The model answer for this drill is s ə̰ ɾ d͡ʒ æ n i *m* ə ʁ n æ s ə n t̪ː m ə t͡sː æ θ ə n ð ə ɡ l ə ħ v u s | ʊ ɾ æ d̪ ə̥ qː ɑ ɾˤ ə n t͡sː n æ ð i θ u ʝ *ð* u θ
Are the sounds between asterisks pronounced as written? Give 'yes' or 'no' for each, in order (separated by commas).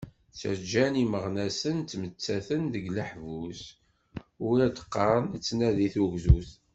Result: yes, no